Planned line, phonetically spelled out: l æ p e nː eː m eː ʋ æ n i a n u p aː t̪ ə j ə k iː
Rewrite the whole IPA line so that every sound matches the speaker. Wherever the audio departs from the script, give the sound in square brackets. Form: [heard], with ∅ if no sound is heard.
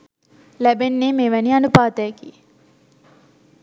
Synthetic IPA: l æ [b] e nː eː m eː ʋ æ n i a n u p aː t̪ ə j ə k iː